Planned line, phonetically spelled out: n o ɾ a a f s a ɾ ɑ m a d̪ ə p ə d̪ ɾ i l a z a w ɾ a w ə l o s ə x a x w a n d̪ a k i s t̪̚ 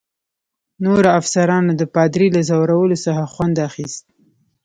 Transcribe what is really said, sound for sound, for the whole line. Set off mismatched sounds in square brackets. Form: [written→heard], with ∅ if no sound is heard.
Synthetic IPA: n o ɾ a a f s a ɾ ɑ [m→n] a d̪ ə p [ə→ɑ] d̪ ɾ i l a z a w ɾ a w ə l o s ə x a x w a n d̪ a [k→x] i s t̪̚